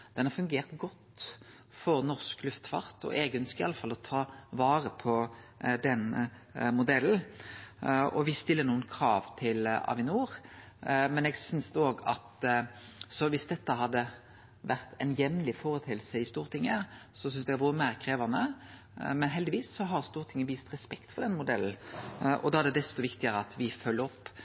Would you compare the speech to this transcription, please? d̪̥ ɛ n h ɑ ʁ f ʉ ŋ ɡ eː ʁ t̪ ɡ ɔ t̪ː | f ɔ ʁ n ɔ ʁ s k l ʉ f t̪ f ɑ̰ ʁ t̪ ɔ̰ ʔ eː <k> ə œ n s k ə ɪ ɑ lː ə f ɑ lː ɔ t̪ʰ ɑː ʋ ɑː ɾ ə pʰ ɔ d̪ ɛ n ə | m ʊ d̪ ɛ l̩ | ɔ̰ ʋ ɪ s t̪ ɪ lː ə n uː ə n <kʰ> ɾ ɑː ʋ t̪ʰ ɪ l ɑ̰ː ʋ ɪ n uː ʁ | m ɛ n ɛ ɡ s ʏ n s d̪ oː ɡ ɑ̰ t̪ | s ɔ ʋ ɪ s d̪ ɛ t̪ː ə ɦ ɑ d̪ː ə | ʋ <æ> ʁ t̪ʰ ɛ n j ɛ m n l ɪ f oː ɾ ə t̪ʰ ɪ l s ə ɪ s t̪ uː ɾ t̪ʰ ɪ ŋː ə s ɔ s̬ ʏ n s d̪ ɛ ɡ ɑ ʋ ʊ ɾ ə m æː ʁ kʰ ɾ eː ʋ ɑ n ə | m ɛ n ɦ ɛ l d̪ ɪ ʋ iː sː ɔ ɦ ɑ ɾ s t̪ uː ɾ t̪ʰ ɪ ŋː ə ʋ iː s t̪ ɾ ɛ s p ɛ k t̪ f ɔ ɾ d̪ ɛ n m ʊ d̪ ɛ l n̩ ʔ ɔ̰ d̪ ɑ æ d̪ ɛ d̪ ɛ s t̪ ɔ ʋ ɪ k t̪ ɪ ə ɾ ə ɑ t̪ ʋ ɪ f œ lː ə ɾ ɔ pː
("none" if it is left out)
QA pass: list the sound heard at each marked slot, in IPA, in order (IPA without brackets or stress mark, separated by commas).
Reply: ɡ, kʰ, æ